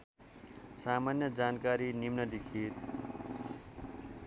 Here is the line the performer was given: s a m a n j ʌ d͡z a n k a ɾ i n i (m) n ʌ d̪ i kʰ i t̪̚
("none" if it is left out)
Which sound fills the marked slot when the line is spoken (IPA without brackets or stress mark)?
m